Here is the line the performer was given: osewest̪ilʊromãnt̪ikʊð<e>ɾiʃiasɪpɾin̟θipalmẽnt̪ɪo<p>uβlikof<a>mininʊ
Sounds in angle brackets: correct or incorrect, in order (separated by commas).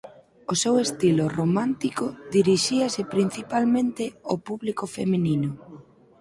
incorrect, correct, incorrect